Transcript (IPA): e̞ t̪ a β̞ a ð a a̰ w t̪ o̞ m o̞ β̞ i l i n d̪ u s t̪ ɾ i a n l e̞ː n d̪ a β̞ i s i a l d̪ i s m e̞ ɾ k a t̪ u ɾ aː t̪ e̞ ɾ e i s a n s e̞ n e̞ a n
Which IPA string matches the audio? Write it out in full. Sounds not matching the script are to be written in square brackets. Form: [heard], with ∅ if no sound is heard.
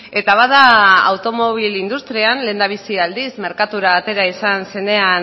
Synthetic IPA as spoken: e̞ t̪ a β̞ a ð a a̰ w t̪ o̞ m o̞ β̞ i l i n d̪ u s t̪ ɾ i a n l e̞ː n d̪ a β̞ i s i a l d̪ i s m e̞ ɾ k a t̪ u ɾ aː t̪ e̞ ɾ [a] i s a n s e̞ n e̞ a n